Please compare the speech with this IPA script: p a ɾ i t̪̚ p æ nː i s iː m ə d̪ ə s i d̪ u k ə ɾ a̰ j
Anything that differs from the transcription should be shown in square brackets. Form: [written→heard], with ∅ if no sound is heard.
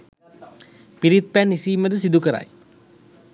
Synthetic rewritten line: p [a→i] ɾ i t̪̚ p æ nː i s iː m ə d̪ ə s i d̪ u k ə ɾ a̰ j